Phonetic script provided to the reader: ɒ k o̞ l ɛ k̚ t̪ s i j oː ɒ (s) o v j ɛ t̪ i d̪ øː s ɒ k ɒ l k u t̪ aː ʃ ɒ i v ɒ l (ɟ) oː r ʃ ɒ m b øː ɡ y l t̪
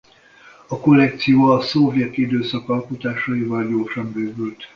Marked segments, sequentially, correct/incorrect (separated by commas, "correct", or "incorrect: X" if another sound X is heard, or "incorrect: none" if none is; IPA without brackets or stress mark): correct, correct